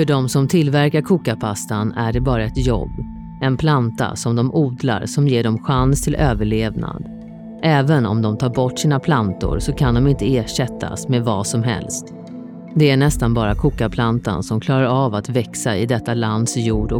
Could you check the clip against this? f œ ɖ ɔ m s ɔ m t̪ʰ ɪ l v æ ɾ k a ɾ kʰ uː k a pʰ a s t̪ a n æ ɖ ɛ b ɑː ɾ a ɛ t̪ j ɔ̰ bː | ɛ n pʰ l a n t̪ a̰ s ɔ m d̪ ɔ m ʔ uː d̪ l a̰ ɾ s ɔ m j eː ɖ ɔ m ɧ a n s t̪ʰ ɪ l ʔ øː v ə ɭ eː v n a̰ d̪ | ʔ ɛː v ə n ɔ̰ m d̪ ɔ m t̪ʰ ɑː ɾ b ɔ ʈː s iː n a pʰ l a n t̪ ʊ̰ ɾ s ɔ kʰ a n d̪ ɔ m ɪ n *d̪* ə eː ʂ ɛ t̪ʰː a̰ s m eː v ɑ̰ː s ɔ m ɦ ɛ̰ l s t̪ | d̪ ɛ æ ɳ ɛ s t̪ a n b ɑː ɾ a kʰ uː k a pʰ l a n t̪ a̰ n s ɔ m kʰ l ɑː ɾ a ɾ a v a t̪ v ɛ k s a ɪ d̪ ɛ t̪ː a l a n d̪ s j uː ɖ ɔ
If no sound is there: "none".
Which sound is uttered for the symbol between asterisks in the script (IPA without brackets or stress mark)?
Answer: t̪